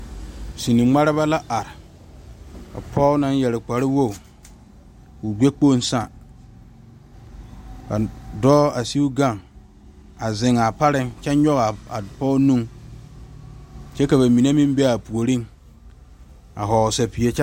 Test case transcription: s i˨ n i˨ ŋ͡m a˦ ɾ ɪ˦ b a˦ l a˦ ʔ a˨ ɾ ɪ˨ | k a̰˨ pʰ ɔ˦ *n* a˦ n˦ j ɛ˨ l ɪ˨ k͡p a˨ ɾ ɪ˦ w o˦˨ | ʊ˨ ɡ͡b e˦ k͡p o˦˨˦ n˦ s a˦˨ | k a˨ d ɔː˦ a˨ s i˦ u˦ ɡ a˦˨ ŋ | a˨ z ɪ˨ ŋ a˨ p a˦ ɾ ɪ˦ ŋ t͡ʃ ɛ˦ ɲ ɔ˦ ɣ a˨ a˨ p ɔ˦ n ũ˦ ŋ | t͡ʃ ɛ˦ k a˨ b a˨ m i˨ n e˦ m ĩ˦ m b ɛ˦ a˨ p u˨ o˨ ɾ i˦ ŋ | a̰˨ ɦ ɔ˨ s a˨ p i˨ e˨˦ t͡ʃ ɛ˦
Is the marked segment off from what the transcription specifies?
no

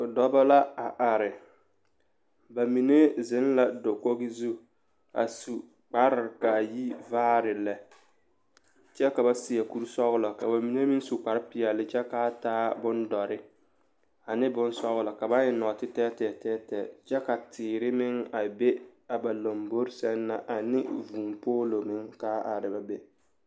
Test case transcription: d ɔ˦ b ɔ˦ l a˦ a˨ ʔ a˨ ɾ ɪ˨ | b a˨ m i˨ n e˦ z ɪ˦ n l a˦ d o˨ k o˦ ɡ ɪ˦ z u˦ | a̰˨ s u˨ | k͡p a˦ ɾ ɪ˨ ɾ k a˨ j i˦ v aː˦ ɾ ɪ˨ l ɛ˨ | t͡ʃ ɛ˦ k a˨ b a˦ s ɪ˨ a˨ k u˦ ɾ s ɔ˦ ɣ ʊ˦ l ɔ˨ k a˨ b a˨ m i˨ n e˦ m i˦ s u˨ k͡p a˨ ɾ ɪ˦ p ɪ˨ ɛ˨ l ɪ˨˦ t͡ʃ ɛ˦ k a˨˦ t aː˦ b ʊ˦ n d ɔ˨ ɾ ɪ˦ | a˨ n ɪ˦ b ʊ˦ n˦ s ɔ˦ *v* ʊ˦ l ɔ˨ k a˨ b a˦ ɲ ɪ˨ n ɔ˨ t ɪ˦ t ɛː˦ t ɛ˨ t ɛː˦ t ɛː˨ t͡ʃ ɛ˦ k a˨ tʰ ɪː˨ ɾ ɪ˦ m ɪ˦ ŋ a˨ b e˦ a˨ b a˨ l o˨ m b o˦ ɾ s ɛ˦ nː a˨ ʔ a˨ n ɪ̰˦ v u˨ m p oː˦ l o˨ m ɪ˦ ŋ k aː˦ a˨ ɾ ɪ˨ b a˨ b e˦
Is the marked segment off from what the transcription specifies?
yes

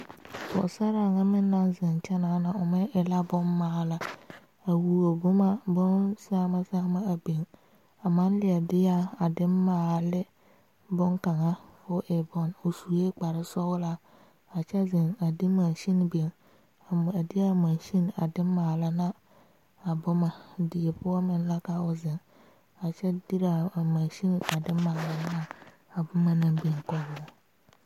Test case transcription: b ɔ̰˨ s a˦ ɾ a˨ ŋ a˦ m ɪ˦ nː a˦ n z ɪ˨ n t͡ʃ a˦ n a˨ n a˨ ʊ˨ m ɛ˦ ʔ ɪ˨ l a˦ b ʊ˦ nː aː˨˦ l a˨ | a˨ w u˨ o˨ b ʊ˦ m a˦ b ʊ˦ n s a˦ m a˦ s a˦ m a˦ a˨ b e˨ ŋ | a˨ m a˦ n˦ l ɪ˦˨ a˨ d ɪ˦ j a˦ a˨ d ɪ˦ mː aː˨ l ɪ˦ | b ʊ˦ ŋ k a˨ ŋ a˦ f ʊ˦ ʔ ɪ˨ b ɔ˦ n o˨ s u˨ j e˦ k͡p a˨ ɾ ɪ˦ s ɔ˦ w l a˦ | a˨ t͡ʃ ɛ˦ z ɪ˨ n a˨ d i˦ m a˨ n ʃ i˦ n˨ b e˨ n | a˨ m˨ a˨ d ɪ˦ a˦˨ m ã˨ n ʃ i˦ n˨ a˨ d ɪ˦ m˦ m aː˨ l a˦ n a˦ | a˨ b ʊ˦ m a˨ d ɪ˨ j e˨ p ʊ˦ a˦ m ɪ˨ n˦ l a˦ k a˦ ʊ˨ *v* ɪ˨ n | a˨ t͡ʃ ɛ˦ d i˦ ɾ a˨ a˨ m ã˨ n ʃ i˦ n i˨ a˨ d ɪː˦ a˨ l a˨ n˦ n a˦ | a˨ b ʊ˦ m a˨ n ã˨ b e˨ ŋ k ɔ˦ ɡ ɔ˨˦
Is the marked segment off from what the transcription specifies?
yes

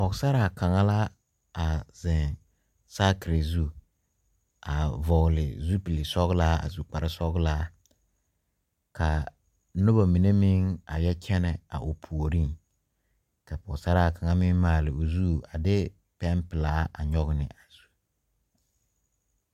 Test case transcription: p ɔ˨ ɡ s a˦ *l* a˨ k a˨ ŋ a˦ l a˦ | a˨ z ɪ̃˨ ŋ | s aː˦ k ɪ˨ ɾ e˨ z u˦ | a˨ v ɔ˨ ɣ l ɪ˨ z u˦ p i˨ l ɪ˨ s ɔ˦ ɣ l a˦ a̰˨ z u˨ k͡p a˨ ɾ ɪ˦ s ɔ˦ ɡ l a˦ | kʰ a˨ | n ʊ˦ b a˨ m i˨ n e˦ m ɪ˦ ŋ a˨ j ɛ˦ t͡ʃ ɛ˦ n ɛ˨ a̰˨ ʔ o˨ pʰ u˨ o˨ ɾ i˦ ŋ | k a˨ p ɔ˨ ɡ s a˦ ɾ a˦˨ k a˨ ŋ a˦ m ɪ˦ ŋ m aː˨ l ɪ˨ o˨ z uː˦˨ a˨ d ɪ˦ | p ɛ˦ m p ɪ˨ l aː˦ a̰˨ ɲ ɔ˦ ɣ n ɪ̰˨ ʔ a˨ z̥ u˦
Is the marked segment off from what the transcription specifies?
yes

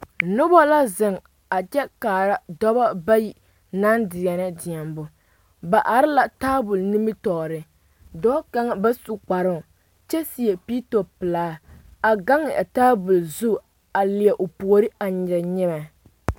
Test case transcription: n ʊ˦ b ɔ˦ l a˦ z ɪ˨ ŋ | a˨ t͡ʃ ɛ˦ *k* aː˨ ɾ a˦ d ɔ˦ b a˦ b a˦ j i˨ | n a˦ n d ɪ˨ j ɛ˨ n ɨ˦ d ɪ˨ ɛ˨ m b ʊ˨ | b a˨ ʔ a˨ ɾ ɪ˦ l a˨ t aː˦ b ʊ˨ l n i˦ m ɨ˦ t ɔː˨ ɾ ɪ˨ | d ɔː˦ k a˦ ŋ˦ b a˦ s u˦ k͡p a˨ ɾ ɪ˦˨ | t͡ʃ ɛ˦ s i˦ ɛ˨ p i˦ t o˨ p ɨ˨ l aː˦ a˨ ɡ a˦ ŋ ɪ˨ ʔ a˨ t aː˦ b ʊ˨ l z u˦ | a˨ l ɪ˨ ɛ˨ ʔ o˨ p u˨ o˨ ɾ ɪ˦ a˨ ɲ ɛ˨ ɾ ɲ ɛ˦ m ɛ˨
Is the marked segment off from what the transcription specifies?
no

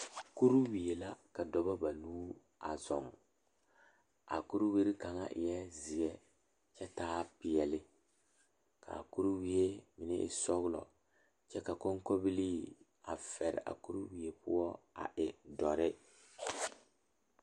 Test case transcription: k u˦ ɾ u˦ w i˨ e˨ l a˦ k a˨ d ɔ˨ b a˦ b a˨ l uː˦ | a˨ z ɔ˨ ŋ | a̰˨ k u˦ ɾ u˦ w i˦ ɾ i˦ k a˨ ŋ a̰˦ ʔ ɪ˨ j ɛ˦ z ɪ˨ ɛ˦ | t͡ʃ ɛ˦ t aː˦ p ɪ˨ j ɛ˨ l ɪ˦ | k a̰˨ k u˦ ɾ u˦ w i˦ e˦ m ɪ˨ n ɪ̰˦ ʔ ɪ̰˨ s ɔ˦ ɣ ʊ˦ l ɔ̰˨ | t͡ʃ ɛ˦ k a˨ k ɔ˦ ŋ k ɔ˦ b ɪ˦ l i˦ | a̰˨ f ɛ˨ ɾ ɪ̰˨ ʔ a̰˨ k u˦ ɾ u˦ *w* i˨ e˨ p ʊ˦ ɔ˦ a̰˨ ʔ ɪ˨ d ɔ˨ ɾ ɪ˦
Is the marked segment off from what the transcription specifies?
no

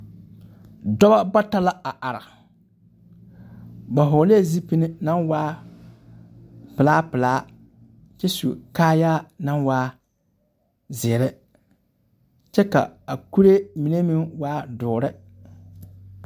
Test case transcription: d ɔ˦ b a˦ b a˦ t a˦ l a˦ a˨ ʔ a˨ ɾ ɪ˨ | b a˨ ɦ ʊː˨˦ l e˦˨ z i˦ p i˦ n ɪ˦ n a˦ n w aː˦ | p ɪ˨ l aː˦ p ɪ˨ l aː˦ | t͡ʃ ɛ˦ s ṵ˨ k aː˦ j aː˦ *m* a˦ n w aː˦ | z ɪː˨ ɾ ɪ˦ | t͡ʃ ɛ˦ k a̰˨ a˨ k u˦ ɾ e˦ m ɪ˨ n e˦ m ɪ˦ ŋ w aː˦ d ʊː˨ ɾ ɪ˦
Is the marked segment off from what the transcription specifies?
yes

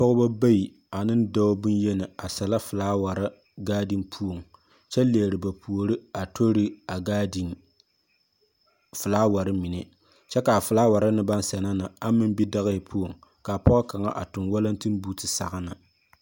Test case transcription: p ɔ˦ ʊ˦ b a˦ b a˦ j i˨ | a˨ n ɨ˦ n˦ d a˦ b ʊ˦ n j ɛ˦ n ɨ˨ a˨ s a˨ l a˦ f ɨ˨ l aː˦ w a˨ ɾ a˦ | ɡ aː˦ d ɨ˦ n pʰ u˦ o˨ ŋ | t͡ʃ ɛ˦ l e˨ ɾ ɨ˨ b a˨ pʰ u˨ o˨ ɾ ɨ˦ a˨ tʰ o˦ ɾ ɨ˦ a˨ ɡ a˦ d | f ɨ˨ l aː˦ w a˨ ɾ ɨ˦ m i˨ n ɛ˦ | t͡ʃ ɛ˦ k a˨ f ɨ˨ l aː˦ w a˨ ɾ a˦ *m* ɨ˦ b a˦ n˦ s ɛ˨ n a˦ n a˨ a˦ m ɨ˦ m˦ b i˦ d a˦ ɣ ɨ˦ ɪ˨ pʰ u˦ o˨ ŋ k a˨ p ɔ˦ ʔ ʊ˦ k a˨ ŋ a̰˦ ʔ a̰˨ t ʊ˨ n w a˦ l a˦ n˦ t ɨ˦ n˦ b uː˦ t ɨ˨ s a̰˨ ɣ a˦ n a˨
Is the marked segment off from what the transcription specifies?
yes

